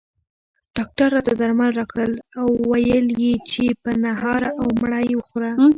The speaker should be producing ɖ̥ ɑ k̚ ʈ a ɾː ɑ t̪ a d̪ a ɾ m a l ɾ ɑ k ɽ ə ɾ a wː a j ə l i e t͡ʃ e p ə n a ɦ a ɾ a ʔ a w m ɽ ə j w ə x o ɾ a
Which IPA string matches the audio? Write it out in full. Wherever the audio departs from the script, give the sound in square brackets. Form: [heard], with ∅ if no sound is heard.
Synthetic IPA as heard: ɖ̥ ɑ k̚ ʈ a ɾː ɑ t̪ a d̪ a ɾ m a l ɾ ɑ k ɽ ə [l] a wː a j ə l [j] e t͡ʃ e p ə n a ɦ [ɑ] ɾ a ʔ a w m ɽ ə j w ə x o ɾ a